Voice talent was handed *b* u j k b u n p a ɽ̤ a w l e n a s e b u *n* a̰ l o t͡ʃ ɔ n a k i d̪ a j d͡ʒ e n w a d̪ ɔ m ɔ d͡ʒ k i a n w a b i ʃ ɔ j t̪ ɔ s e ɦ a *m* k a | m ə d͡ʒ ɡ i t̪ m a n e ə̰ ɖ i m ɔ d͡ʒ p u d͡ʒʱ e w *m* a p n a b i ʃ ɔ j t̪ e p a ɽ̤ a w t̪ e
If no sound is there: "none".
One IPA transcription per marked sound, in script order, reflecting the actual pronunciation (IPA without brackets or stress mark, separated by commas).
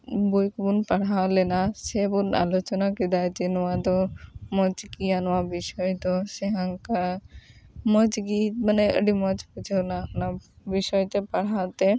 b, n, ŋ, n